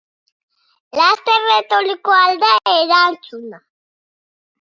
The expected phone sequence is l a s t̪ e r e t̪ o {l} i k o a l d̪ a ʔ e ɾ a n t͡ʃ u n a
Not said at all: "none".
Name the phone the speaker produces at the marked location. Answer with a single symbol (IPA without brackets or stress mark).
l